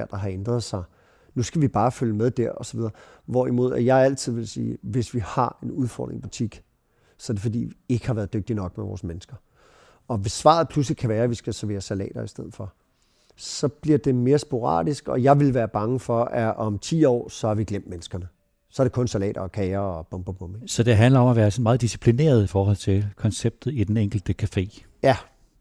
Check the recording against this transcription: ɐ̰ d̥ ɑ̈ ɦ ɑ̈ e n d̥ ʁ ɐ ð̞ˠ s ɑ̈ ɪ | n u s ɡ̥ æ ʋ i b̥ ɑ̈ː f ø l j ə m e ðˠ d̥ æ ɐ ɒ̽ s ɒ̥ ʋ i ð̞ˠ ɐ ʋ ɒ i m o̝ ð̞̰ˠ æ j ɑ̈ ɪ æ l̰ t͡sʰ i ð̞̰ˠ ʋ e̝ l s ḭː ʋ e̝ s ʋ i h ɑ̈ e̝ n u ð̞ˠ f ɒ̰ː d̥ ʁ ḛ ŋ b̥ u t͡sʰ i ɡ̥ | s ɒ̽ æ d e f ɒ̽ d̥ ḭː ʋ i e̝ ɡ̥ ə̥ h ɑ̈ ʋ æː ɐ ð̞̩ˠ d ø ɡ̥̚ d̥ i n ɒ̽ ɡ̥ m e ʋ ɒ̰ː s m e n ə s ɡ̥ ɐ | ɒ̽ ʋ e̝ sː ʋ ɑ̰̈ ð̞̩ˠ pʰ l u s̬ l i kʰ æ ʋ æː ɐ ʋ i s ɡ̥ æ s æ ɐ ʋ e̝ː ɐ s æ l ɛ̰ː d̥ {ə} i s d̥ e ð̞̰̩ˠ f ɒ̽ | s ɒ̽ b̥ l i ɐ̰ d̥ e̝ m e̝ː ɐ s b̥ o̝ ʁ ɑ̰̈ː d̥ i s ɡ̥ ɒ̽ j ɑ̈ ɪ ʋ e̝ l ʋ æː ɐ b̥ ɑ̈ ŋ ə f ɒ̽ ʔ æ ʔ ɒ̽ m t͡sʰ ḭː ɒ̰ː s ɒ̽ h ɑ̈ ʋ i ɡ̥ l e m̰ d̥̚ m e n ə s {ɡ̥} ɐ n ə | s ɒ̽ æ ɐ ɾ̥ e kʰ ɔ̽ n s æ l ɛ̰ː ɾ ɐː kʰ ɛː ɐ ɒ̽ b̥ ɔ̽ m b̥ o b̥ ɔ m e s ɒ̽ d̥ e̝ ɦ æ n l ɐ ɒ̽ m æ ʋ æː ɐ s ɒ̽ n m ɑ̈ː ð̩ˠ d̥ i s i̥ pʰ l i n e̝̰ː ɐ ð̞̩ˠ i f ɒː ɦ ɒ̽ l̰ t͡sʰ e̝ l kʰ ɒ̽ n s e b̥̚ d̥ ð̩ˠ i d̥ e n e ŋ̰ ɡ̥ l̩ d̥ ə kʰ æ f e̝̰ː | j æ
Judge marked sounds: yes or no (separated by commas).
no, yes